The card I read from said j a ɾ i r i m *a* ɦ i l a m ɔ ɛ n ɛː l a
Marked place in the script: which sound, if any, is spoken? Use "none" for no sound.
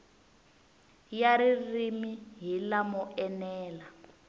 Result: i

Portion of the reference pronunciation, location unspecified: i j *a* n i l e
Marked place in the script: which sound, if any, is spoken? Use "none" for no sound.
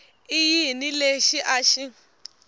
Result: i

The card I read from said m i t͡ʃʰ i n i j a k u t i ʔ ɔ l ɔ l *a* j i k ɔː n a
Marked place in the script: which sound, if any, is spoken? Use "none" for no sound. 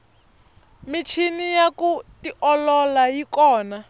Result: a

